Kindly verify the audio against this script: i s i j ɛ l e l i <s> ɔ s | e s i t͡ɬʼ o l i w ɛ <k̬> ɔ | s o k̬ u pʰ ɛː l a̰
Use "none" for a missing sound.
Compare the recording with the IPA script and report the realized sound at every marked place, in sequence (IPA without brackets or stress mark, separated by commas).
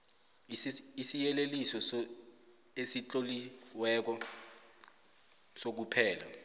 s, k̬